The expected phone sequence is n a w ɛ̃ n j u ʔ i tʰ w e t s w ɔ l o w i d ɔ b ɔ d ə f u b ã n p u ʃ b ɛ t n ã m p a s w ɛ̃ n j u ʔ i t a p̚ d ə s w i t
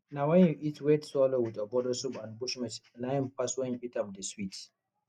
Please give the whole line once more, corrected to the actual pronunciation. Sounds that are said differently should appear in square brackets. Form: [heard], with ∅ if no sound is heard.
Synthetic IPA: n a w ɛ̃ n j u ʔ i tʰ w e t s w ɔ l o w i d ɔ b ɔ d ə [s] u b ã n [b] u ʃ [m] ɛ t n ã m p a s w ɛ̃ n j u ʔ i t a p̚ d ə s w i t